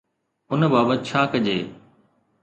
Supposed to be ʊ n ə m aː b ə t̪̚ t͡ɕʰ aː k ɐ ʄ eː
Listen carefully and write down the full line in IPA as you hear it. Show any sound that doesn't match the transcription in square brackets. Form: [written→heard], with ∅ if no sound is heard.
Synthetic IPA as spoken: ʊ n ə [m→b] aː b ə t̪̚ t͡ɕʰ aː k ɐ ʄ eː